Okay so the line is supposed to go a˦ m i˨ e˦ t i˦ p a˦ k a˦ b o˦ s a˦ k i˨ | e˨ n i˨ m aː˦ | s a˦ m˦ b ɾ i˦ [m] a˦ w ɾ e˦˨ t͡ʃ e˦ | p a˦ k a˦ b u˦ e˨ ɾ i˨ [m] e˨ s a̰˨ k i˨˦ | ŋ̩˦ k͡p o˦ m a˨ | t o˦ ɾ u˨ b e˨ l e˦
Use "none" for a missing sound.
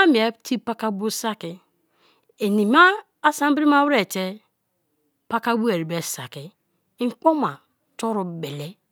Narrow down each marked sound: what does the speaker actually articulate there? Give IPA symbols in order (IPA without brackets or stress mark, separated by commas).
m, b